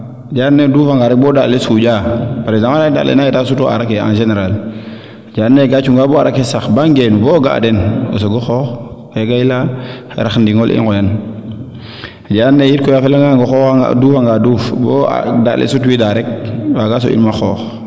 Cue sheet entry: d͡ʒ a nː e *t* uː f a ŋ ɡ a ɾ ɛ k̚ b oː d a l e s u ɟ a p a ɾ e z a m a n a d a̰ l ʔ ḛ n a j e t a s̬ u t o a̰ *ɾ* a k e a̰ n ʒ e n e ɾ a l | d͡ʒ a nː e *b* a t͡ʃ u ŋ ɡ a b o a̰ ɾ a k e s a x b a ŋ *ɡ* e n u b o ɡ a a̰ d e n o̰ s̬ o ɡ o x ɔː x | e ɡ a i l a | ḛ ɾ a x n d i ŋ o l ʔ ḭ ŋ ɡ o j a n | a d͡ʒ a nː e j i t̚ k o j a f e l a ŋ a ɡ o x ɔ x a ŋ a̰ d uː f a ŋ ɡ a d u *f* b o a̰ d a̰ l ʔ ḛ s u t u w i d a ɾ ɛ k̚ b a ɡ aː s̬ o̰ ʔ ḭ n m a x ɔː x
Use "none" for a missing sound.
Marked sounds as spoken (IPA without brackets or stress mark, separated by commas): d, ɾ, ɡ, ɡ, f